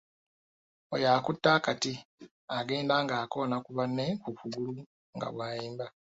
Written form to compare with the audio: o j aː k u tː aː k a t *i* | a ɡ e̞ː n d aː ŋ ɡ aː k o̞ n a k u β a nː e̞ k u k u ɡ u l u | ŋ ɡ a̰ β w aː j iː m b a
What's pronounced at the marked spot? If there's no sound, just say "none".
i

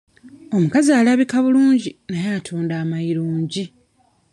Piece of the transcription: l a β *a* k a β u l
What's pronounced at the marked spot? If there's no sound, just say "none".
i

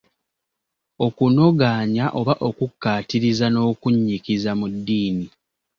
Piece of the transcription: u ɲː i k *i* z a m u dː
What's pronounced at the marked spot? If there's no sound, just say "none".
i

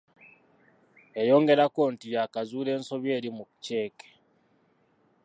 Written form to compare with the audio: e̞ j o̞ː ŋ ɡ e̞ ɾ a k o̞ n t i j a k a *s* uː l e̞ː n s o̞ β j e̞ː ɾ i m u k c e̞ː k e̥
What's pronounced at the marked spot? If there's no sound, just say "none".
z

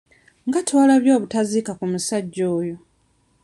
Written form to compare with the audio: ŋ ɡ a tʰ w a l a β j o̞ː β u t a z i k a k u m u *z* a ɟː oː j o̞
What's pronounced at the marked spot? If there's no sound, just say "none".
s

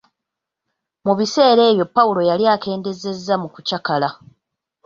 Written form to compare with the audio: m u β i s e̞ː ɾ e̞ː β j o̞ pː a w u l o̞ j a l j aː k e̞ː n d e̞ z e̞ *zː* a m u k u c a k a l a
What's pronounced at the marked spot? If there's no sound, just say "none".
zː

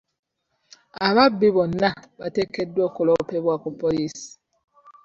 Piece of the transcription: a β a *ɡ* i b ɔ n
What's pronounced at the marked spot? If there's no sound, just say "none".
b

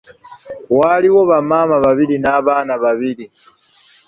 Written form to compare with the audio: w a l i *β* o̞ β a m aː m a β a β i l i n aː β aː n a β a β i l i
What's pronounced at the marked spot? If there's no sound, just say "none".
w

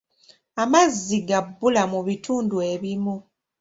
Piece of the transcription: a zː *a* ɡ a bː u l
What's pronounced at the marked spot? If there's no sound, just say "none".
i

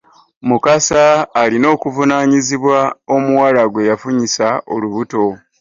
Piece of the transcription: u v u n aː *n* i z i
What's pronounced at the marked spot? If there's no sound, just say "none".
ɲ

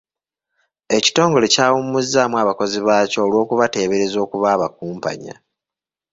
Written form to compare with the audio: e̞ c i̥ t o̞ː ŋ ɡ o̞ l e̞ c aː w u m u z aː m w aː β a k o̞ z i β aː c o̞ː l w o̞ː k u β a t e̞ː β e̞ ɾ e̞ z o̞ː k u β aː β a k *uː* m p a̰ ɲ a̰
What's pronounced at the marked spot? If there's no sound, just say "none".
uː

